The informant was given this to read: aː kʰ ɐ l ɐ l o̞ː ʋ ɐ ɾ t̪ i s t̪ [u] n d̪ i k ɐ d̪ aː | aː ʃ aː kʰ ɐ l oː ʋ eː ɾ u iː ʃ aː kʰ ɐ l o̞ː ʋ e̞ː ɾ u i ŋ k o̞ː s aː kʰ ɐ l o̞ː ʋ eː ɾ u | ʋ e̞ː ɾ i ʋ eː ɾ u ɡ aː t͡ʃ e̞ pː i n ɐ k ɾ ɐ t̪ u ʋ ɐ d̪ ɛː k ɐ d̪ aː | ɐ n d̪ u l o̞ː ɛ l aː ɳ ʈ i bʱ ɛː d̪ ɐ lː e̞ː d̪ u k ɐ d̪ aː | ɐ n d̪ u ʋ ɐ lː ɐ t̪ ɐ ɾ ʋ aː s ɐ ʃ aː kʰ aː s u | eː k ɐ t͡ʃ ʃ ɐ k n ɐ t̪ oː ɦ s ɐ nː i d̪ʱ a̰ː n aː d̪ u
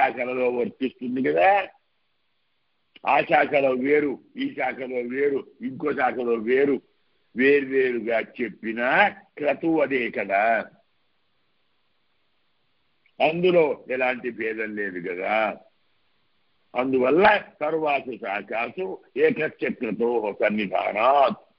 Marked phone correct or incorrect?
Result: correct